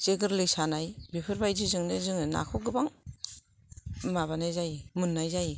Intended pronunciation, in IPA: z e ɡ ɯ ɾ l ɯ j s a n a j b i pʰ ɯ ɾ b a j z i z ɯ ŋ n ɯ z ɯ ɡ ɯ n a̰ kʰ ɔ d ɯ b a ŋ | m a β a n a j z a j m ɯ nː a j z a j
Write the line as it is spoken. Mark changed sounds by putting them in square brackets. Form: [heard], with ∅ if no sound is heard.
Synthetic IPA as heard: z e ɡ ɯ ɾ l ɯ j s a n a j b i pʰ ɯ ɾ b a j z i z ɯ ŋ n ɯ z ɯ [ŋ] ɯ n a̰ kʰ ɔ [ɡ] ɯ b a ŋ | m a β a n a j z a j m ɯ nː a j z a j